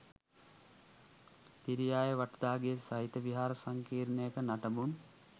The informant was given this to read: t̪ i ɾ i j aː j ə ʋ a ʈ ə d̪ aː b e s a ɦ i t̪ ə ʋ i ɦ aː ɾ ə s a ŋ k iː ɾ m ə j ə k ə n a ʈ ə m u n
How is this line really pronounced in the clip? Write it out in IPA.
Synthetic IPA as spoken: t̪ i ɾ i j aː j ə ʋ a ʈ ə d̪ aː ɡ e s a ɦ i t̪ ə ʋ i ɦ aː ɾ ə s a ŋ k iː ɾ n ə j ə k ə n a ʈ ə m u n